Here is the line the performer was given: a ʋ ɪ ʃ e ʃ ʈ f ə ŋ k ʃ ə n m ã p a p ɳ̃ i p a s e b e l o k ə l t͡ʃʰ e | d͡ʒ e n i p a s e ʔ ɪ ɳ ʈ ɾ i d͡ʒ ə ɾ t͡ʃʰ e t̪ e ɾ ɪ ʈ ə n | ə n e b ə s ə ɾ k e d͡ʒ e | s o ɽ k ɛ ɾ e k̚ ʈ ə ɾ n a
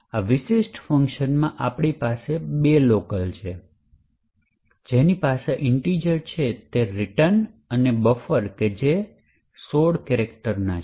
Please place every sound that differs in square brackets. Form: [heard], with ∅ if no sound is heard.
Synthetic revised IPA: a ʋ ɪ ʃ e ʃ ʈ f ə ŋ k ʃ ə n m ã [ʔ] a p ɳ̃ i p a s e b e l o k ə l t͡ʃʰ e | d͡ʒ e n i p a s e ʔ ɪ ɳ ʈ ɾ i d͡ʒ ə ɾ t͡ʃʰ e t̪ e ɾ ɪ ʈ ə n | ə n e b ə [f] ə ɾ k e d͡ʒ e | s o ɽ k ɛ ɾ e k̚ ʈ ə ɾ n a

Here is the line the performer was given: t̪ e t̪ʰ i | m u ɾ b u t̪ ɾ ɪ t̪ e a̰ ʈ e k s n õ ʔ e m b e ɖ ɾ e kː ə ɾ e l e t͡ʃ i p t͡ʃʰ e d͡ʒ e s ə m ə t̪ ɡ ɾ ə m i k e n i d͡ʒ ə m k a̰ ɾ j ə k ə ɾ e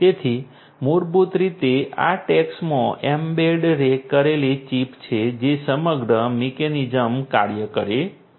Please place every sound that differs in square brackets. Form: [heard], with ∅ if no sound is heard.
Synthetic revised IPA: t̪ e t̪ʰ i | m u ɾ b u t̪ ɾ [i] t̪ e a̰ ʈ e k s [m] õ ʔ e m b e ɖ ɾ e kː ə ɾ e l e t͡ʃ i p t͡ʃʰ e d͡ʒ e s ə m ə [∅] ɡ ɾ ə m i k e n i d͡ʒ ə m k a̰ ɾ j ə k ə ɾ e

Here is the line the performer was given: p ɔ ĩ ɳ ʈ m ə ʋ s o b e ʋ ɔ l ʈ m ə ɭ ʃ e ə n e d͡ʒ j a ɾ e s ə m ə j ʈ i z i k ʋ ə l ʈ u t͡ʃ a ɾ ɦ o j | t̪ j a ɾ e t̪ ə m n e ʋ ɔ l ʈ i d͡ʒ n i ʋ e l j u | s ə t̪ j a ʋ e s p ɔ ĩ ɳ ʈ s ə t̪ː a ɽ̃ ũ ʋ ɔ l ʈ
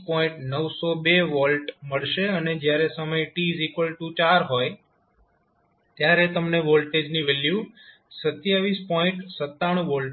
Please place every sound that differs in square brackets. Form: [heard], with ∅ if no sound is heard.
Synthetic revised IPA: p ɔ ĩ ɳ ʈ [n] ə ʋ s o b e ʋ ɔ l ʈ m ə ɭ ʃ e ə n e d͡ʒ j a ɾ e s ə m ə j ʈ i z i k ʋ ə l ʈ u t͡ʃ a ɾ ɦ o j | t̪ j a ɾ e t̪ ə m n e ʋ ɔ l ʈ [e] d͡ʒ n i ʋ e l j u | s ə t̪ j a ʋ [i] s p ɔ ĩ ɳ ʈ s ə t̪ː a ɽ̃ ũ ʋ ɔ l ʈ

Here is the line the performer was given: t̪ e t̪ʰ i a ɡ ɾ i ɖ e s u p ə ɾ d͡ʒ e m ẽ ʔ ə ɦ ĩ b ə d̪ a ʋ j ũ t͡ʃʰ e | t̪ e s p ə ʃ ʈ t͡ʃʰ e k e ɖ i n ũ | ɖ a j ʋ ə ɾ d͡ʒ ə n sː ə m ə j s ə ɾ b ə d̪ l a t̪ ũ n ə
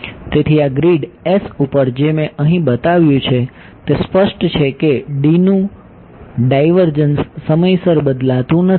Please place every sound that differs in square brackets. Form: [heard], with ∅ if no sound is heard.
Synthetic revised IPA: t̪ e t̪ʰ i a ɡ ɾ i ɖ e s u p ə ɾ d͡ʒ e m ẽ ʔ ə ɦ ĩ b ə [t̪] a ʋ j ũ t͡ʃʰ e | t̪ e s p ə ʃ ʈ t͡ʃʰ e k e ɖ i n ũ | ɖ a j ʋ ə ɾ d͡ʒ ə n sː ə m ə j s ə ɾ b ə d̪ l a t̪ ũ n ə

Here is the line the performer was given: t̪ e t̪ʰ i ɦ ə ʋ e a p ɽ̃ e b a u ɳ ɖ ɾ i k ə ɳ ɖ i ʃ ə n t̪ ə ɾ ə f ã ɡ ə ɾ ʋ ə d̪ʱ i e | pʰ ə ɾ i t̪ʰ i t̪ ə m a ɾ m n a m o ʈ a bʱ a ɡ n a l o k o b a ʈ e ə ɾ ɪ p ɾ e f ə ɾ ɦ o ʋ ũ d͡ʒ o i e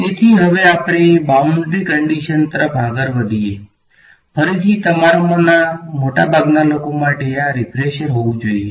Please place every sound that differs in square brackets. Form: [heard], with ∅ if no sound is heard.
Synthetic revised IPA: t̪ e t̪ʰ i ɦ ə ʋ e a p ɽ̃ e b a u ɳ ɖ ɾ i k ə ɳ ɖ i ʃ ə n t̪ ə ɾ ə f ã ɡ ə ɾ ʋ ə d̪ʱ i e | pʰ ə ɾ i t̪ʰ i t̪ ə m a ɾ m n a m o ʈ a bʱ a ɡ n a l o k o [m] a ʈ e [a] ɾ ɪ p ɾ e [ʃ] ə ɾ ɦ o ʋ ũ d͡ʒ o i e

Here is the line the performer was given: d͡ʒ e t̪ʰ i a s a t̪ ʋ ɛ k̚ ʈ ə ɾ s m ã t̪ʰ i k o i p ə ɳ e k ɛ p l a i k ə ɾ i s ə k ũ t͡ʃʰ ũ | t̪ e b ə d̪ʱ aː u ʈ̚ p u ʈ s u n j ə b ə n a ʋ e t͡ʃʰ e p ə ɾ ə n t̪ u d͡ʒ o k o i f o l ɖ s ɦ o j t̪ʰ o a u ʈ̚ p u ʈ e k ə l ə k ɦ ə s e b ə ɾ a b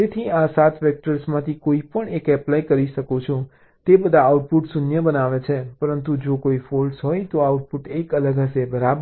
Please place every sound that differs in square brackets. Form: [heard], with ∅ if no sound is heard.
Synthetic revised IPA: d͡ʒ e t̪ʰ i a s a t̪ ʋ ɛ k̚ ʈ ə ɾ s m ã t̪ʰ i k o i p ə ɳ e k ɛ p l a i k ə ɾ i [ʃ] ə k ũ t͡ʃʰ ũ | t̪ e b ə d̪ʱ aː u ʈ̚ p u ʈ s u n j ə b ə n a ʋ e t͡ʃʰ e p ə ɾ ə n t̪ u d͡ʒ o k o i f o l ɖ s ɦ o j [t̪] o a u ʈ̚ p u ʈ e k ə l ə [ɡ] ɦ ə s e b ə ɾ a b

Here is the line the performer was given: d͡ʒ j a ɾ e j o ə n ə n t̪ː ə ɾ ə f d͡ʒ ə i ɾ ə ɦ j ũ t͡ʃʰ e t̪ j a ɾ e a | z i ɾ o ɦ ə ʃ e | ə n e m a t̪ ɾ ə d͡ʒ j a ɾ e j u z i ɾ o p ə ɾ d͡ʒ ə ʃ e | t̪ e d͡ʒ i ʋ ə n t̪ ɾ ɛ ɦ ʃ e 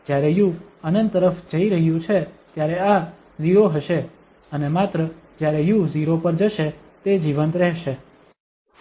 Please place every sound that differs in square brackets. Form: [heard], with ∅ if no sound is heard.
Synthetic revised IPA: d͡ʒ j a ɾ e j [u] ə n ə n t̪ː ə ɾ ə f d͡ʒ ə i ɾ ə ɦ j ũ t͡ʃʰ e t̪ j a ɾ e a | z i ɾ o ɦ ə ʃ e | ə n e m a t̪ ɾ ə d͡ʒ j a ɾ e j u z i ɾ o p ə ɾ d͡ʒ ə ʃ e | t̪ e d͡ʒ i ʋ ə n t̪ ɾ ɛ ɦ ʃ e

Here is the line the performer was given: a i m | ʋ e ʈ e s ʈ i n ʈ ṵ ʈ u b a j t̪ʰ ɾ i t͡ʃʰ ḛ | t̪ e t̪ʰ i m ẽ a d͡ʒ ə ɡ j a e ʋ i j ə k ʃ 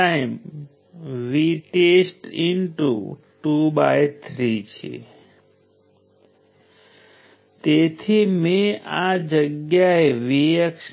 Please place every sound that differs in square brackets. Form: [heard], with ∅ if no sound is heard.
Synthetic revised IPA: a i m | ʋ [i] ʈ e s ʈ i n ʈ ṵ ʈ u b a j t̪ʰ ɾ i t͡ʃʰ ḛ | t̪ e t̪ʰ i m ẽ a d͡ʒ ə ɡ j a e ʋ i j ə k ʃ

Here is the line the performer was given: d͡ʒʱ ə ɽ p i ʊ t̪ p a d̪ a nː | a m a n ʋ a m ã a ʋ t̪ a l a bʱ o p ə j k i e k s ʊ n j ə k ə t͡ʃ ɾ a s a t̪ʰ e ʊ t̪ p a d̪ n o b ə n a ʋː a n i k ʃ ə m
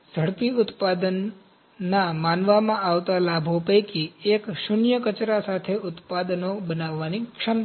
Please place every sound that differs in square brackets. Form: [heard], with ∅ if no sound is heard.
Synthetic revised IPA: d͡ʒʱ ə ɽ p i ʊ t̪ p a d̪ [ə] nː | a m a n ʋ a m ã a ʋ t̪ a l a bʱ o p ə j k i e k [ʃ] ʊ n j ə k ə t͡ʃ ɾ a s a t̪ʰ e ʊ t̪ p a d̪ n o b ə n a ʋː a n i k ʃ ə m

